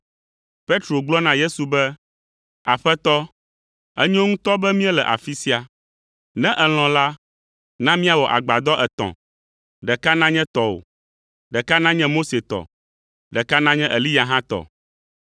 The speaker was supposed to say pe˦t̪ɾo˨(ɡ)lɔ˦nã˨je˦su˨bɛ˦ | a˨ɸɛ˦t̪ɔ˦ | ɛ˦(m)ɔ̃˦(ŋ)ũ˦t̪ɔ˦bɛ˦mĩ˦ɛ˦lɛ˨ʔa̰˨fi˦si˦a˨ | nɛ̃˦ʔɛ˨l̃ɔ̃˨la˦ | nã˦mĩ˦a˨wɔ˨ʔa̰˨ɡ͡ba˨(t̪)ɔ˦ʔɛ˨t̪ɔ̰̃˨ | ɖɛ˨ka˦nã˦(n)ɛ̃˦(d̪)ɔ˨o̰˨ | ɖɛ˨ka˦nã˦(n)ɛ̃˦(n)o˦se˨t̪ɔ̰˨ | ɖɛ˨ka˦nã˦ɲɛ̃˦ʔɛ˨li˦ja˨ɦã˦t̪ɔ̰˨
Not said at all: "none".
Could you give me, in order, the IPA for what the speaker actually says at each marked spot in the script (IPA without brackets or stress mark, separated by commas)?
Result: ɡ͡b, ɲ, ŋ, d̪, ɲ, t̪, ɲ, m